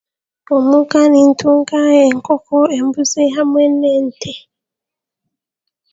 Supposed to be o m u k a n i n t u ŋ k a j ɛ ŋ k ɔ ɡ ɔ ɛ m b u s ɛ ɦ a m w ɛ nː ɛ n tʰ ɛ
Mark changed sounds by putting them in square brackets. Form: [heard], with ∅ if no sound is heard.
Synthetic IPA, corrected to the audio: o m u k a n i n t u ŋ k a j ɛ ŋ k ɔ [k] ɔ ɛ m b u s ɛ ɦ a m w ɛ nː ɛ n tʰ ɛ